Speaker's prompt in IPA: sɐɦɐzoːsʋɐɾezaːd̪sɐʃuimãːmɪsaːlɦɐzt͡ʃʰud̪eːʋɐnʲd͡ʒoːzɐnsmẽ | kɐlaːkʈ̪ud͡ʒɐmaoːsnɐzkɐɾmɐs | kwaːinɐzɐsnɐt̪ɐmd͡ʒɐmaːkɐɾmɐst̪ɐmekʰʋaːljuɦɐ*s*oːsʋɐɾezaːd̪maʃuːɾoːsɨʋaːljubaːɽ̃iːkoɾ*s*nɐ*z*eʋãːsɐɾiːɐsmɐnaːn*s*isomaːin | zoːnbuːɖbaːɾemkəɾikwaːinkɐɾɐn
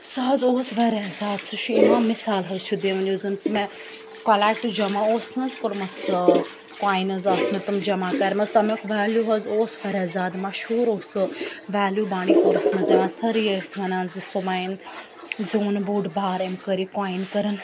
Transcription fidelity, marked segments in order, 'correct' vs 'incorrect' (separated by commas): incorrect, correct, correct, incorrect